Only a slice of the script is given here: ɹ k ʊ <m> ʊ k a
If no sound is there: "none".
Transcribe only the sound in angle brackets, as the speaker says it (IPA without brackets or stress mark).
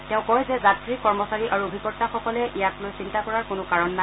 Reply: n